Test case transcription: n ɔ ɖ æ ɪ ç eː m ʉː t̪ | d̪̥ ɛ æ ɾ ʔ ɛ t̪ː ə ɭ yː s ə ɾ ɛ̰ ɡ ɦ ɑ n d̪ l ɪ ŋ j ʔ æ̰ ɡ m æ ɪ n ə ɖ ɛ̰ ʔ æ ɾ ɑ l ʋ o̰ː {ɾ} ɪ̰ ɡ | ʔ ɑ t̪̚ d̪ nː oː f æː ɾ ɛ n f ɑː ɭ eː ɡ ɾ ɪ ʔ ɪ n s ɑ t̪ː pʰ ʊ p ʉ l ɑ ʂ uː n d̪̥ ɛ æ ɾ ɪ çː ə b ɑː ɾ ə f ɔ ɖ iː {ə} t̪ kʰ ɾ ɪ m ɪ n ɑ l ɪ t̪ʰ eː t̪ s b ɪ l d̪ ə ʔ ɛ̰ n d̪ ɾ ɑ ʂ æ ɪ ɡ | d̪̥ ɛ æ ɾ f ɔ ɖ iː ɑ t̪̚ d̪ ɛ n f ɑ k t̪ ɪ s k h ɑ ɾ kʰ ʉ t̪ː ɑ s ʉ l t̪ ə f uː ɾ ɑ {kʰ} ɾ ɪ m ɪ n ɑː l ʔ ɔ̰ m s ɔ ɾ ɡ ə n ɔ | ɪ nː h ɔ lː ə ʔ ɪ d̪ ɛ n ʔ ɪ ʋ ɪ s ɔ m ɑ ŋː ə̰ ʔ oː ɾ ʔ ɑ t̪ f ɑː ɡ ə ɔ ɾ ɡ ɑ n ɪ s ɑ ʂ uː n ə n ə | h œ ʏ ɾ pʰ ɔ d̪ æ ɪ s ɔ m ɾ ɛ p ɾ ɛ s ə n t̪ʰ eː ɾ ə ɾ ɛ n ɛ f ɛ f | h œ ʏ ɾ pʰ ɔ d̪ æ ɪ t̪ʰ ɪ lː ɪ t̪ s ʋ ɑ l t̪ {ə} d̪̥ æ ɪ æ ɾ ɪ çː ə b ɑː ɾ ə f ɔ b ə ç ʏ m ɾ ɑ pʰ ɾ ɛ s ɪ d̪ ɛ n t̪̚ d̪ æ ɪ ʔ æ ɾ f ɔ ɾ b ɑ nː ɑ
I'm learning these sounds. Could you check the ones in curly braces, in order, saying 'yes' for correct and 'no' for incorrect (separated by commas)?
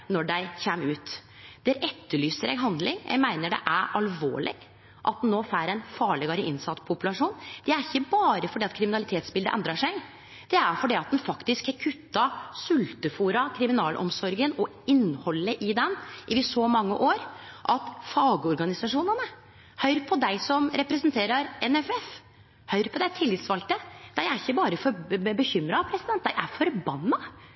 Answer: no, no, yes, yes